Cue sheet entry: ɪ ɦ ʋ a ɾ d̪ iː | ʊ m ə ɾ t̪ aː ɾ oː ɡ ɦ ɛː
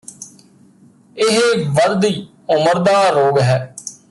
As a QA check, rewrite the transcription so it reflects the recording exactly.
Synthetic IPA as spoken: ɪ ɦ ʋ ə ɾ d̪ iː | ʊ m ə ɾ d̪ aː ɾ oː ɡ ɦ ɛː